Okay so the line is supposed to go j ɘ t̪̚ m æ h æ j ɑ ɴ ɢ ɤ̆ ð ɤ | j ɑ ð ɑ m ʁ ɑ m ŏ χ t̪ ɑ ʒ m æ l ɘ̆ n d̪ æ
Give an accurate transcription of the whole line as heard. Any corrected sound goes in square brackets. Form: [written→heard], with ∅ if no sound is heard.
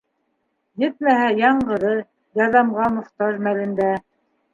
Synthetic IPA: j ɘ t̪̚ m æ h æ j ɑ ɴ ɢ ɤ̆ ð ɤ | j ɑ ð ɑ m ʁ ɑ m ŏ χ t̪ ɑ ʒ m æ l ɘ̆ n d̪ æ

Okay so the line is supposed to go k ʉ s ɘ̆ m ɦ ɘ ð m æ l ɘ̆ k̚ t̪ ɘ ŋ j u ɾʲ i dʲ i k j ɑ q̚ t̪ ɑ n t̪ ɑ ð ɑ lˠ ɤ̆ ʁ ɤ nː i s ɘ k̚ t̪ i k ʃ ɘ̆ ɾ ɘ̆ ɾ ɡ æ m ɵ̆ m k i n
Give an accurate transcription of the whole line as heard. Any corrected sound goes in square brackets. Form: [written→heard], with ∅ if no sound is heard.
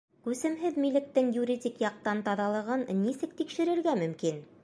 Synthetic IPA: k ʉ s ɘ̆ m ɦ ɘ ð m [æ→i] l ɘ̆ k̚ t̪ ɘ ŋ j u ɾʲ i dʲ i k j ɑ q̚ t̪ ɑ n t̪ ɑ ð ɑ lˠ ɤ̆ ʁ ɤ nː i s ɘ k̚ t̪ i k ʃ ɘ̆ ɾ ɘ̆ ɾ ɡ æ m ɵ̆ m k i n

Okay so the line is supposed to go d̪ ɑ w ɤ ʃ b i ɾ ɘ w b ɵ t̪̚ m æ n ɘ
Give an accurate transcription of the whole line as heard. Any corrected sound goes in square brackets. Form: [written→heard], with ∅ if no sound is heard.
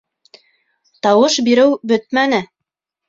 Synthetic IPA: [d̪→t̪] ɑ w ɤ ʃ b i ɾ ɘ w b ɵ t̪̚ m æ n ɘ

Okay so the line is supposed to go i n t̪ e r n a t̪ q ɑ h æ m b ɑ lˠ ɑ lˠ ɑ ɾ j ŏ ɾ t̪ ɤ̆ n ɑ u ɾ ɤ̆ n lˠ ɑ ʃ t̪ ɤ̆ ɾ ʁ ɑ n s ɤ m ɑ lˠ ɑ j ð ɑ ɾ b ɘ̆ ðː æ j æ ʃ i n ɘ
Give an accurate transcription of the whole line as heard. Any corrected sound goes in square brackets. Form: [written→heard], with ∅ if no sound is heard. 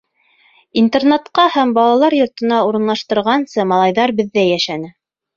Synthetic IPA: i n t̪ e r n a t̪ q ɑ h æ m b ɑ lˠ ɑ lˠ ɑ ɾ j ŏ ɾ t̪ ɤ̆ n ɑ u ɾ ɤ̆ n lˠ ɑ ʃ t̪ ɤ̆ ɾ ʁ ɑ n s ɤ m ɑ lˠ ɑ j ð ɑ ɾ b ɘ̆ ðː æ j æ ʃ [i→æ] n ɘ

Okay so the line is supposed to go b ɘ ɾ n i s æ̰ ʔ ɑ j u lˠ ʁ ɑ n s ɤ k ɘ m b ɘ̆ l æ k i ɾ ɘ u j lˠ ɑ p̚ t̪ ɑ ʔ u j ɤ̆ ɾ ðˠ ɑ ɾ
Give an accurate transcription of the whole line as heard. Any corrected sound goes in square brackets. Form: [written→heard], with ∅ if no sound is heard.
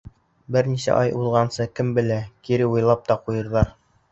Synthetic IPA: b ɘ ɾ n i s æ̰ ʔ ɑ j u lˠ ʁ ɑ n s ɤ k ɘ m b ɘ̆ l æ k i ɾ ɘ u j lˠ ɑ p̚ t̪ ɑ [ʔ→q] u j ɤ̆ ɾ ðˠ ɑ ɾ

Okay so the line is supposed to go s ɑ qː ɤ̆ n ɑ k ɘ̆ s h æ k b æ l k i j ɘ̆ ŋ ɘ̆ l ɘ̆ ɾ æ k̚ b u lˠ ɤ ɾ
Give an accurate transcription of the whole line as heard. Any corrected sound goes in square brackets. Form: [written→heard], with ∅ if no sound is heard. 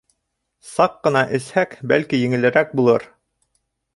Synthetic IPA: s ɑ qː ɤ̆ n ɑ [k→ʔ] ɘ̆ s h æ k b æ l k i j ɘ̆ ŋ ɘ̆ l ɘ̆ ɾ æ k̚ b u lˠ ɤ ɾ

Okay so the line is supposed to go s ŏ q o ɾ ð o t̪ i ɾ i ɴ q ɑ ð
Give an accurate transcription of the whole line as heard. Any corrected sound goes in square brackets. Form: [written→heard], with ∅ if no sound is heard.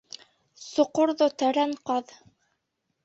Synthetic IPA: s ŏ q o ɾ ð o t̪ [i→æ] ɾ [i→æ] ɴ q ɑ ð

